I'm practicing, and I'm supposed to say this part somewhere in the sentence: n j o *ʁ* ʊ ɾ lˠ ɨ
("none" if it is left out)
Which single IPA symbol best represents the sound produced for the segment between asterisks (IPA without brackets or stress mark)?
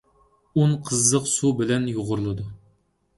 ʁ